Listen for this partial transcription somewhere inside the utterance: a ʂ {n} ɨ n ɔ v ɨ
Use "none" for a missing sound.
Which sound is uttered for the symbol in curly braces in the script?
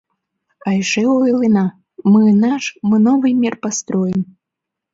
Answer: m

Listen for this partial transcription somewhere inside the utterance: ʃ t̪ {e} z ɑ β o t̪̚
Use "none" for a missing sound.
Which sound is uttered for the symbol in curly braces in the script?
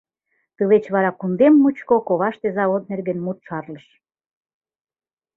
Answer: e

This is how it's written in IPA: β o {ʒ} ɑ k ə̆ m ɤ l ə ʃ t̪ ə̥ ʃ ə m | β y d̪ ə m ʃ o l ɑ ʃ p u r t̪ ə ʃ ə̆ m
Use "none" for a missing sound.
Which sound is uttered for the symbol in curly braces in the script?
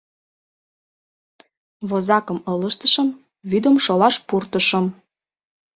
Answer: z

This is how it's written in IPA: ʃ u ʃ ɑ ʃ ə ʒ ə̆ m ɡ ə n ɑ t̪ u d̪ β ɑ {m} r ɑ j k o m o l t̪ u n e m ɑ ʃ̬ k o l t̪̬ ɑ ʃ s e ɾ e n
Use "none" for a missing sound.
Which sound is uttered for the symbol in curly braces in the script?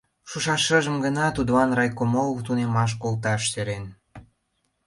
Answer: n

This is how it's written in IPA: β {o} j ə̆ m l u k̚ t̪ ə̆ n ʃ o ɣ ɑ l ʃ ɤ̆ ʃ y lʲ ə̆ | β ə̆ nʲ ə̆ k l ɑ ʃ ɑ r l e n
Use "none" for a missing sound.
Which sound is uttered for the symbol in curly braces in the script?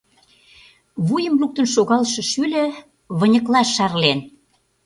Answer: u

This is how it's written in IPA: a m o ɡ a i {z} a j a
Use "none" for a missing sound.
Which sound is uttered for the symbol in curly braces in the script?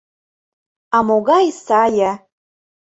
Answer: s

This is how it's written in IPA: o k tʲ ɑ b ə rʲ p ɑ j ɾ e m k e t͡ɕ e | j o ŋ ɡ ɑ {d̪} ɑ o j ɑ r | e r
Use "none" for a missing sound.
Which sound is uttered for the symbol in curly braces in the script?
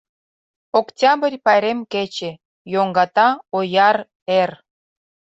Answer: t̪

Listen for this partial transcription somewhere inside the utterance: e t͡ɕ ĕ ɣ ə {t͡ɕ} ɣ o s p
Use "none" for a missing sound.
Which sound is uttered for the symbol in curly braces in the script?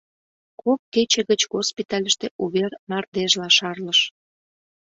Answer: t͡ɕ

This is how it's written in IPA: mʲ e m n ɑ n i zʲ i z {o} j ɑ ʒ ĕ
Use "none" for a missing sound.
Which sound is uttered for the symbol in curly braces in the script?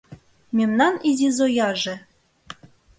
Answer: o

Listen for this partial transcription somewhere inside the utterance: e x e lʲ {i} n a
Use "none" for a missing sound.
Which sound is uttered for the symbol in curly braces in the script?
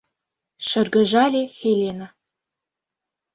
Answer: e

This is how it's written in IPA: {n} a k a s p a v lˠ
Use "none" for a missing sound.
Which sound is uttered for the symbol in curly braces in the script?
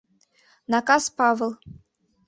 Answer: n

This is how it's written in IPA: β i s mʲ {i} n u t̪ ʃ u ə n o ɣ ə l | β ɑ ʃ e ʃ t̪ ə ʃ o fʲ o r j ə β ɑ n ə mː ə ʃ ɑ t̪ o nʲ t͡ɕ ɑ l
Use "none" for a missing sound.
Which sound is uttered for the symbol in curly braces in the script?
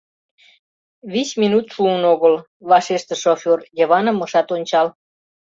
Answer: i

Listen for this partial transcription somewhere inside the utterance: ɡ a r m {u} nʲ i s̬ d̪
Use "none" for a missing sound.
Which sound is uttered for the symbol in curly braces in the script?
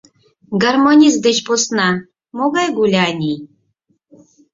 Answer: o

